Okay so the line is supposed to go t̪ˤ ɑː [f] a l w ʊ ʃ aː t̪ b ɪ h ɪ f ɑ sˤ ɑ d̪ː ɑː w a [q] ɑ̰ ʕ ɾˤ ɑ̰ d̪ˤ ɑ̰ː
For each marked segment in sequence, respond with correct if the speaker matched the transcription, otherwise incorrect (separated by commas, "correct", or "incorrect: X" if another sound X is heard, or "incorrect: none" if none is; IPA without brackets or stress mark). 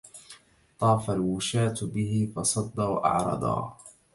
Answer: correct, incorrect: ʔ